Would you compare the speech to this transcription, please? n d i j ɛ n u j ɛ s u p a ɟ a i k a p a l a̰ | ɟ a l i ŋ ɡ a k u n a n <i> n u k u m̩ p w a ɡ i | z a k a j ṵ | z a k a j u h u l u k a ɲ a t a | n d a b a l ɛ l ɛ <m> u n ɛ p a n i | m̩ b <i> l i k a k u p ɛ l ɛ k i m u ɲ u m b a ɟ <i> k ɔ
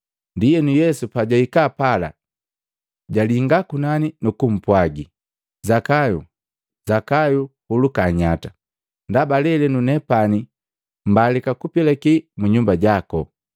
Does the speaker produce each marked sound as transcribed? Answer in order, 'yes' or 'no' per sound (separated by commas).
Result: yes, no, no, no